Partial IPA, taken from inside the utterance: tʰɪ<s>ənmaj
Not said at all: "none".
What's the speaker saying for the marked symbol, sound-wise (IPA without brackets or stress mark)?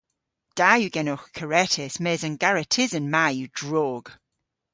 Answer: z